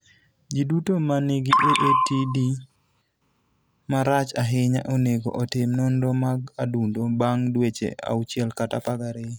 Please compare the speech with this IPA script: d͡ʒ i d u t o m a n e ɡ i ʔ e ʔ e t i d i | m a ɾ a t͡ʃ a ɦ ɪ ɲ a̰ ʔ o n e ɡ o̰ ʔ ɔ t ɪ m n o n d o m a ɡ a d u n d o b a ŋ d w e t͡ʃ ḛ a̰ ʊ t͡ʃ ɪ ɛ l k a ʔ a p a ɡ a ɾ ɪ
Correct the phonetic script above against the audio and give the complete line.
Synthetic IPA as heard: d͡ʒ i d u t o m a n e ɡ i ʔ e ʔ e t i d i | m a ɾ a t͡ʃ a ɦ ɪ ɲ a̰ ʔ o n e ɡ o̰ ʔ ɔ t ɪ m n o n d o m a ɡ a d u n d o b a ŋ d w e t͡ʃ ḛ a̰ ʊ t͡ʃ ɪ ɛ l k a t a p a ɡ a ɾ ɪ